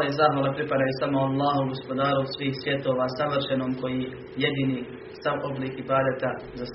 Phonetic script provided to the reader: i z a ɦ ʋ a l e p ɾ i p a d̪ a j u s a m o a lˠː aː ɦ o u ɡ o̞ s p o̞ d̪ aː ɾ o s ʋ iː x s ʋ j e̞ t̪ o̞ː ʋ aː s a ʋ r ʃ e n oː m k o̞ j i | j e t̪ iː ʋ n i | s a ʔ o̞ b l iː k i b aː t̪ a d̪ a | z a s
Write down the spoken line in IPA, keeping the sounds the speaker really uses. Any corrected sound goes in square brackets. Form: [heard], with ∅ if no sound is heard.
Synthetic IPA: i z a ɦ ʋ a l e p ɾ i p a d̪ a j u s a m o a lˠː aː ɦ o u ɡ o̞ s p o̞ d̪ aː ɾ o s ʋ iː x s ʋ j e̞ t̪ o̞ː ʋ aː s a ʋ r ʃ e n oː m k o̞ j i | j e [d̪] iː [∅] n i | s a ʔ o̞ b l iː k i b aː [d̪] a [t̪] a | z a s